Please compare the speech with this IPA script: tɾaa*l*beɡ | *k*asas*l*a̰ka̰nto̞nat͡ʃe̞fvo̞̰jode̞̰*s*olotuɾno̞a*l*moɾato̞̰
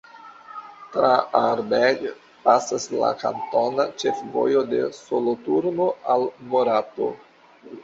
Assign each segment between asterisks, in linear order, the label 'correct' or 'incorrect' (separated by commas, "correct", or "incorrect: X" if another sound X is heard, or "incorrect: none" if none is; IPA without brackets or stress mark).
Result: incorrect: ɾ, incorrect: p, correct, correct, correct